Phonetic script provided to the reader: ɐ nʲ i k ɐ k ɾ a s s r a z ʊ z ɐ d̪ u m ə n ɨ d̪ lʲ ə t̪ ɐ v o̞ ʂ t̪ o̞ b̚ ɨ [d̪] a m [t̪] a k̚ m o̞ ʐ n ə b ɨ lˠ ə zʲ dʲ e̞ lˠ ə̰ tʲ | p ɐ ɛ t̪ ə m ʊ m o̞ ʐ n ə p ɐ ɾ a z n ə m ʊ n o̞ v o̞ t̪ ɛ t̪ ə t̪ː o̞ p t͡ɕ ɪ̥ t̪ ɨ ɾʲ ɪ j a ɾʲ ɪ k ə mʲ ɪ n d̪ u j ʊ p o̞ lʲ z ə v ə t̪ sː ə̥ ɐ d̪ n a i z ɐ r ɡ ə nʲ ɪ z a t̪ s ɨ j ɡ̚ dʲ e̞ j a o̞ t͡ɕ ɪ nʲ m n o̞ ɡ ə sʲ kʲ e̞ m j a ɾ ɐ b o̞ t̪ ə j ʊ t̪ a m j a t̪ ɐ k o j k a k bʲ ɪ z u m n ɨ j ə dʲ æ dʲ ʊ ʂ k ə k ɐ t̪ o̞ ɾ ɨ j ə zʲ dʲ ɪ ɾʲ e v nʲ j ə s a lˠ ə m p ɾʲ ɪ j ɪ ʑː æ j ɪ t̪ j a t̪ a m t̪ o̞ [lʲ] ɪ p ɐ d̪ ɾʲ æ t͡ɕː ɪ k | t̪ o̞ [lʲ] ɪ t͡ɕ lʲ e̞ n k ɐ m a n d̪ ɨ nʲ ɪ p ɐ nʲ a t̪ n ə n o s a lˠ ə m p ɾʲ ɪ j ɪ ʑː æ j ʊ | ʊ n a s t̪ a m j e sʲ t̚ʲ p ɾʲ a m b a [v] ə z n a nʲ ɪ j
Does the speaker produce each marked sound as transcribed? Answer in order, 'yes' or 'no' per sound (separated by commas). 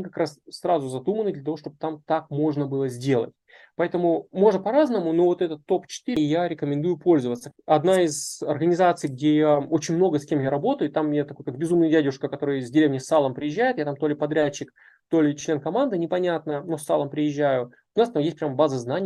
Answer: no, yes, yes, yes, no